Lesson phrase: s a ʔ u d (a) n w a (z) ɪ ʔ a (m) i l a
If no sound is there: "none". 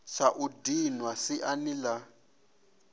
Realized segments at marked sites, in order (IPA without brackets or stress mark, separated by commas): i, s, n